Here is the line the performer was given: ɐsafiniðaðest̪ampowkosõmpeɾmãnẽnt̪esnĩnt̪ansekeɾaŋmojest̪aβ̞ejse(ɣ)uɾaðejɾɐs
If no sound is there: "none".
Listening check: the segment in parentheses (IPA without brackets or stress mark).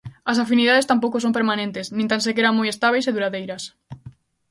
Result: ð